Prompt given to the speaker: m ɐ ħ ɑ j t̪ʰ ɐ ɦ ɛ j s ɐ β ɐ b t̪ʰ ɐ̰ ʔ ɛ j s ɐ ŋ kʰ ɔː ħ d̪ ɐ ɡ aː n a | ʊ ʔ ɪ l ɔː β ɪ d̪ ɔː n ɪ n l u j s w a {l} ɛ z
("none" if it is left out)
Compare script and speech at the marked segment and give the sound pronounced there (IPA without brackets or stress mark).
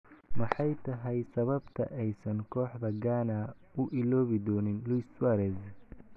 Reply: ɾ